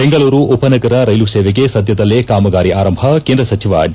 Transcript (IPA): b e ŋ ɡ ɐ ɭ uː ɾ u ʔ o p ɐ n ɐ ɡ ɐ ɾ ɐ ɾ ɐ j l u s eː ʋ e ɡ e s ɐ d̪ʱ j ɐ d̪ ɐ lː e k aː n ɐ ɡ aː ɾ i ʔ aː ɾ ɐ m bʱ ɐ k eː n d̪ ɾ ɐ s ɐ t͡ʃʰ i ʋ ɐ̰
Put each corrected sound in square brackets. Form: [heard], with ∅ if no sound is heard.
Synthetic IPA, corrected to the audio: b e ŋ ɡ ɐ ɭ uː ɾ u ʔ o p ɐ n ɐ ɡ ɐ ɾ ɐ ɾ ɐ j l u s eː ʋ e ɡ e s ɐ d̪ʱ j ɐ d̪ ɐ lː e k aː [m] ɐ ɡ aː ɾ i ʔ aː ɾ ɐ m bʱ ɐ k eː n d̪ ɾ ɐ s ɐ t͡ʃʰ i ʋ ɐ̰